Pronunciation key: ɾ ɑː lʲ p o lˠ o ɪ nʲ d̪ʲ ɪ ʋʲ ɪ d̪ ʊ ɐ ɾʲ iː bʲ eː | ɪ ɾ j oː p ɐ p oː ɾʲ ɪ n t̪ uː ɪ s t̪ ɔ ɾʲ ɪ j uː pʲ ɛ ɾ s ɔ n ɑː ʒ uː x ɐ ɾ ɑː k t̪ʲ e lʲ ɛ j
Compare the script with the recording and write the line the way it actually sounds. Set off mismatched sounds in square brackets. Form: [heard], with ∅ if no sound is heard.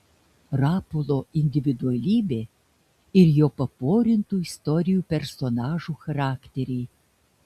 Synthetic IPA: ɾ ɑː [∅] p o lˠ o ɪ nʲ d̪ʲ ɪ ʋʲ ɪ d̪ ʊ ɐ [lʲ] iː bʲ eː | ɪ ɾ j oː p ɐ p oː ɾʲ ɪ n t̪ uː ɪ s t̪ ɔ ɾʲ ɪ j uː pʲ ɛ ɾ s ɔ n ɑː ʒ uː x ɐ ɾ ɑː k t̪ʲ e [ɾʲ] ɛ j